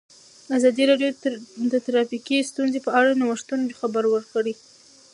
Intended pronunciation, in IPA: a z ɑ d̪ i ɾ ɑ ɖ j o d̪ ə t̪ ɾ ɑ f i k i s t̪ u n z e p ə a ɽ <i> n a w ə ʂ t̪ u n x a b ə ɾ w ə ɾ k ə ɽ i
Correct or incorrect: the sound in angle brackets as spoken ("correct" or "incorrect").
incorrect